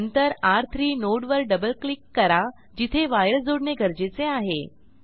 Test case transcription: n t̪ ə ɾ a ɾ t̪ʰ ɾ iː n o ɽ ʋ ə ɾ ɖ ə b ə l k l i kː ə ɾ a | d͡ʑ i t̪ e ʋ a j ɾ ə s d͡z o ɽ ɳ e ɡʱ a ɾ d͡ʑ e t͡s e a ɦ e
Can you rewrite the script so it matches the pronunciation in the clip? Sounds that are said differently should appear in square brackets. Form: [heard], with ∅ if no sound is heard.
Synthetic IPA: n t̪ ə ɾ a ɾ t̪ʰ ɾ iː n o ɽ ʋ ə ɾ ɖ ə b ə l k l i kː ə ɾ a | d͡ʑ i [t̪ʰ] e ʋ a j ɾ ə s d͡z o ɽ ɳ e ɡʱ [ə] ɾ d͡ʑ e t͡s e a ɦ e